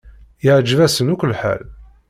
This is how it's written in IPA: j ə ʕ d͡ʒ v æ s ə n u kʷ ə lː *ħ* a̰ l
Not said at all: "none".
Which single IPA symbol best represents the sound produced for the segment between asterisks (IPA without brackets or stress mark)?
ħ